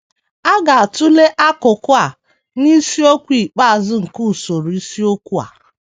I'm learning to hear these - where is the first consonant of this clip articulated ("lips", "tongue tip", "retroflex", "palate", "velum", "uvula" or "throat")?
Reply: velum